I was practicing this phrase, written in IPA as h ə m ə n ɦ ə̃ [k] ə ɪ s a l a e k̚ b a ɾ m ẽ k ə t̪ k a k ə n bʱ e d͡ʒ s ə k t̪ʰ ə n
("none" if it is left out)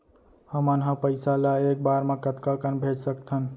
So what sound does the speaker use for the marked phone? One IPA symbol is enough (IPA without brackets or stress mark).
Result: p